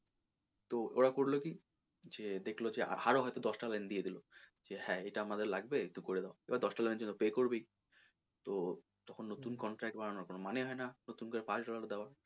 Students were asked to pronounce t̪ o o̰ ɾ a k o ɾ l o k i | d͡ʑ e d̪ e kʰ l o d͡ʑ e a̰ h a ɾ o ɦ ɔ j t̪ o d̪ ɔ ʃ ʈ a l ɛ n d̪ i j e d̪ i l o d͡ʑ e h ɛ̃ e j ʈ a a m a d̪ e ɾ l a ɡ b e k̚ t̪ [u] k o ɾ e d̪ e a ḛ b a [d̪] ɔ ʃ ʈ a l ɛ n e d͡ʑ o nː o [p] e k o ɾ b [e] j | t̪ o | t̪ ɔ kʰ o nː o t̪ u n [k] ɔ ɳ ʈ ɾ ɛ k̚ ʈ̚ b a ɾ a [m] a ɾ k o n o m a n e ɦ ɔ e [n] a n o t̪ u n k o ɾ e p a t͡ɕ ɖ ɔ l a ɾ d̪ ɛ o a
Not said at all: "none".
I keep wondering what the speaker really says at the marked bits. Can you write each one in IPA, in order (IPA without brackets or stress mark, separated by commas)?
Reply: u, d̪, p, e, k, n, n